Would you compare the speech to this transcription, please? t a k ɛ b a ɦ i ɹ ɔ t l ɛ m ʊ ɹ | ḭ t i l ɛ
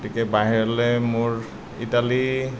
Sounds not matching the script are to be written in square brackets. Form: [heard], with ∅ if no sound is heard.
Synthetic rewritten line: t [i] k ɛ b a ɦ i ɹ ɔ [∅] l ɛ m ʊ ɹ | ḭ t [a] l [i]

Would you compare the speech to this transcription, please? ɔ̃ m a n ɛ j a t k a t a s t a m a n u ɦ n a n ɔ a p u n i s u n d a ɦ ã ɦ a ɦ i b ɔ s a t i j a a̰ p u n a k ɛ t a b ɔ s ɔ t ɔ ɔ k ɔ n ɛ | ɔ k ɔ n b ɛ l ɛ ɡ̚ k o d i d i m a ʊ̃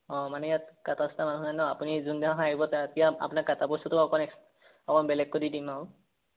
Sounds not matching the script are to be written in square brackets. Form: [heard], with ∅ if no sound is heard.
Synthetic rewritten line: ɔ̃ m a n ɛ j a t k a t a s t a m a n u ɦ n a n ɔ a p u n i [z] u n d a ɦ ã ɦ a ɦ i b ɔ [t] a t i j a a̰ p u n a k [a] t a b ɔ s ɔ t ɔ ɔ k ɔ n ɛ | ɔ k ɔ n b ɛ l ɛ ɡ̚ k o d i d i m a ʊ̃

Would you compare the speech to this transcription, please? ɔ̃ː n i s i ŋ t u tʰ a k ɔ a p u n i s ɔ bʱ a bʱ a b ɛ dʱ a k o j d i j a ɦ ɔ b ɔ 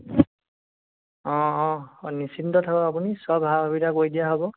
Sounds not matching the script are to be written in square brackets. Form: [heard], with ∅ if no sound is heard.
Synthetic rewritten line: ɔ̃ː n i s i [n] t [ɔ] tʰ a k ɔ a p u n i s ɔ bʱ a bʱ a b [i] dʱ a k o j d i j a ɦ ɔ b ɔ

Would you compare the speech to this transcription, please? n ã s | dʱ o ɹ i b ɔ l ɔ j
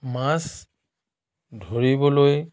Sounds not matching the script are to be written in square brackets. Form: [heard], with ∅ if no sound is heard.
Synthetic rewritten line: [m] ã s | dʱ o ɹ i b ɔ l [o] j

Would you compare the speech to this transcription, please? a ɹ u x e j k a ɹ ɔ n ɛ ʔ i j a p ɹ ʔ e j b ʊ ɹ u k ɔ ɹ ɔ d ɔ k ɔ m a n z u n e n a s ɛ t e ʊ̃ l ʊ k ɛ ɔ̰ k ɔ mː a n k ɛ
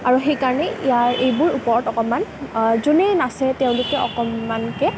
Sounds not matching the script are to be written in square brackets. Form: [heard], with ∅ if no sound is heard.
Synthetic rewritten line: a ɹ u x e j k a ɹ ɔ n ɛ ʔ i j a [∅] ɹ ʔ e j b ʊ ɹ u [p] ɔ ɹ ɔ [t] ɔ k ɔ m a n z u n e n a s ɛ t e ʊ̃ l ʊ k ɛ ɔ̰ k ɔ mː a n k ɛ

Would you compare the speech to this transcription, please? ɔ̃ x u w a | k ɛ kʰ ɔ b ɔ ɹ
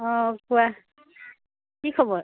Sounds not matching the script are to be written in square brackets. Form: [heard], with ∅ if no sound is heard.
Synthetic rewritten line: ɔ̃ [k] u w a | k [i] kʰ ɔ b ɔ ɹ

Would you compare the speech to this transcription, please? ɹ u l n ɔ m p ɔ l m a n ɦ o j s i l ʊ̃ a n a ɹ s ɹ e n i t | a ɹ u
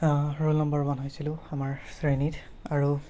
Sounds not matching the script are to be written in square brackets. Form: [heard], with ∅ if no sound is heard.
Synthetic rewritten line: ɹ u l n ɔ m [b] ɔ [ɹ] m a n ɦ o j s i l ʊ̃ a [m] a ɹ s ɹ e n i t | a ɹ u

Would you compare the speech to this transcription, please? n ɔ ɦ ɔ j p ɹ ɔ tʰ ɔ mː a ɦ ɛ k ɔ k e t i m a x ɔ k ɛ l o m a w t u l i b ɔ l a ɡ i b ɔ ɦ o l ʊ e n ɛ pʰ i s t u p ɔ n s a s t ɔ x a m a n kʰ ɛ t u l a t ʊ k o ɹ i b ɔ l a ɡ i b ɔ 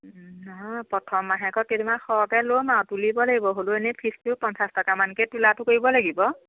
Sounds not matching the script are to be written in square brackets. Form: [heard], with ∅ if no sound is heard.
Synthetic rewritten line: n ɔ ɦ ɔ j p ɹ ɔ tʰ ɔ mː a ɦ ɛ k ɔ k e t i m a x ɔ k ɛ l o m a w t u l i b ɔ l a ɡ i b ɔ ɦ o l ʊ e n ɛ pʰ i s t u p ɔ n s a s t ɔ [k] a m a n [k] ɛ t u l a t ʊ k o ɹ i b ɔ l a ɡ i b ɔ

